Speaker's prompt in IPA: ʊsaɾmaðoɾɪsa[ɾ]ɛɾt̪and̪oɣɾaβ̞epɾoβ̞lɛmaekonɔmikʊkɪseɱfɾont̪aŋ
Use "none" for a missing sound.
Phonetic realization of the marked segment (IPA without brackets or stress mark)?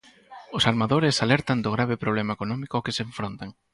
l